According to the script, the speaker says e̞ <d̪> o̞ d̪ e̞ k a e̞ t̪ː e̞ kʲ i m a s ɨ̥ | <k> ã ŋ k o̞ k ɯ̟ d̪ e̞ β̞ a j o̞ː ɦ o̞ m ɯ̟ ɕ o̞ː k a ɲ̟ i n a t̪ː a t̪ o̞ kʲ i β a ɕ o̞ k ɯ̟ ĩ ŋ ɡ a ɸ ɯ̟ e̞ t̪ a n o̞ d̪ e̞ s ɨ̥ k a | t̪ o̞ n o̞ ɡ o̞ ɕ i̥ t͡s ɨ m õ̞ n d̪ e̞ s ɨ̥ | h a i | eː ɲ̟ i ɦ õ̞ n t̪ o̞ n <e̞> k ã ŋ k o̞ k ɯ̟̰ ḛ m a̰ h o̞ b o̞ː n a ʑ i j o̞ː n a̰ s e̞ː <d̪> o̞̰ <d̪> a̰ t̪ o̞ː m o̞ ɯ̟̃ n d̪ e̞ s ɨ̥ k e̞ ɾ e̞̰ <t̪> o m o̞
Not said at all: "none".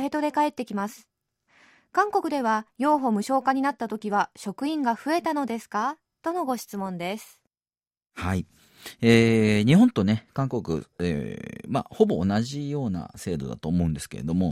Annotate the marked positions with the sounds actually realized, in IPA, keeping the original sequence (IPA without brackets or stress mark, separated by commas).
t̪, k, e̞, d̪, d̪, d̪